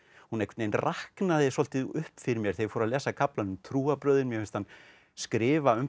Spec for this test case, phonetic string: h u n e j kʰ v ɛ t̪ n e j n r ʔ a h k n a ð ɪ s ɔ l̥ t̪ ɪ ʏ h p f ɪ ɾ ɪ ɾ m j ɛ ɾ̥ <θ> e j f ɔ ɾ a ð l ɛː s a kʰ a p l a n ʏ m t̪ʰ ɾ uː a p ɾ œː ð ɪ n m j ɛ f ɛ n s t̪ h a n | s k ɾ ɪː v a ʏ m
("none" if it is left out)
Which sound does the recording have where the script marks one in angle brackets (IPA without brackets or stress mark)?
θ